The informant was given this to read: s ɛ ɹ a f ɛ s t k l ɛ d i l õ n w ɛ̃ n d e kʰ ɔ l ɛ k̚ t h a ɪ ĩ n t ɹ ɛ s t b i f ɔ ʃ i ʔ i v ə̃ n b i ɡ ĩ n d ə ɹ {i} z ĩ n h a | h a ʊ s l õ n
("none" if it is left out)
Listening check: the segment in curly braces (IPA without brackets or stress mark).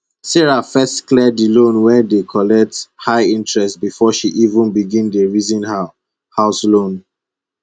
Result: i